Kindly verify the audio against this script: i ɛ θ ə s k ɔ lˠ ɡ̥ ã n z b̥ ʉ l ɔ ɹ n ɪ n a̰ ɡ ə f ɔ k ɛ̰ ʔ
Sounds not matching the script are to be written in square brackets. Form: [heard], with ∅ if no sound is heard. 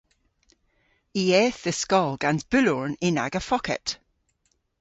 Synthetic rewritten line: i ɛ θ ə s k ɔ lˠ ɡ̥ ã n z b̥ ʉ l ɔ ɹ n ɪ n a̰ ɡ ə f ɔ k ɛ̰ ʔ